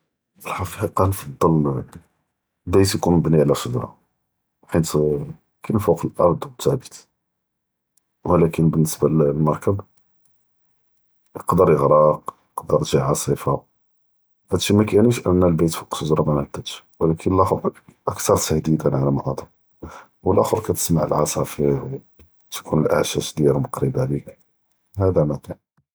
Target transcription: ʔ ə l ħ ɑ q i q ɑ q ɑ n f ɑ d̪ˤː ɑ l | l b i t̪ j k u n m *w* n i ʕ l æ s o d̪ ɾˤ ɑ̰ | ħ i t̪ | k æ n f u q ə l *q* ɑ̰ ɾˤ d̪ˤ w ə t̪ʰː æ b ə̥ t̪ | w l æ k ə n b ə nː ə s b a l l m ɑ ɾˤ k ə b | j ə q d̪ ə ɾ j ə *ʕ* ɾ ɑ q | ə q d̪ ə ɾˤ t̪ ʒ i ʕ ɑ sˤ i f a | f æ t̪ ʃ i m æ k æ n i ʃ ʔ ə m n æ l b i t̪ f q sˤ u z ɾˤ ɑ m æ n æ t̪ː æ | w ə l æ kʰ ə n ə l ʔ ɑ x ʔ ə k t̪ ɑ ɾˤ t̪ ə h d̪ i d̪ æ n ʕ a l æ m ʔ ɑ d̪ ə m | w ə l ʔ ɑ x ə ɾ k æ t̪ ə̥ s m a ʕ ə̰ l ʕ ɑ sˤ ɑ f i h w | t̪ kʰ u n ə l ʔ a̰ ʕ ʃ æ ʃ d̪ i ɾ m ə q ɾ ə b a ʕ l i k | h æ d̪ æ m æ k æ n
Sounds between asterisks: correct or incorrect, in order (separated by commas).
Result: incorrect, incorrect, incorrect